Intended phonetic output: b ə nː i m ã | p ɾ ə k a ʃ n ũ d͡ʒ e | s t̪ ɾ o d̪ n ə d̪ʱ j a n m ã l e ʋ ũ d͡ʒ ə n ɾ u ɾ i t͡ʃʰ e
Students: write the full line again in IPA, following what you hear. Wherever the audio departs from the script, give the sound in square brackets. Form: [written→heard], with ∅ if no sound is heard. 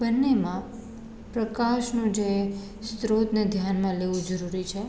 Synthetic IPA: b ə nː [i→e] m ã | p ɾ ə k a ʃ n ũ d͡ʒ e | s t̪ ɾ o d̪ n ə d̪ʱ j a n m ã l e ʋ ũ d͡ʒ ə [n→∅] ɾ u ɾ i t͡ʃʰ e